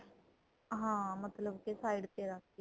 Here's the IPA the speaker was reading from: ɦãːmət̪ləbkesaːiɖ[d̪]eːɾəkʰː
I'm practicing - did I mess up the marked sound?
yes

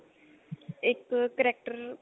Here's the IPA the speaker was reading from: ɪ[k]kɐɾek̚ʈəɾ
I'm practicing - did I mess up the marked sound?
no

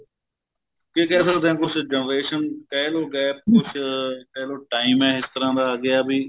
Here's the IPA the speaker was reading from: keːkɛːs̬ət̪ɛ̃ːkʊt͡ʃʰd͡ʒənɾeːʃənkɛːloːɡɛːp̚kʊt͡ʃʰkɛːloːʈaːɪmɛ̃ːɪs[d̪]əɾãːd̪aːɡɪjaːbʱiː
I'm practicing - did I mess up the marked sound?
yes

